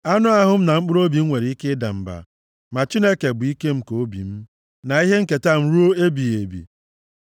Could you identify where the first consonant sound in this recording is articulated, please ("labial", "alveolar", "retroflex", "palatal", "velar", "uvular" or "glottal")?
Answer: alveolar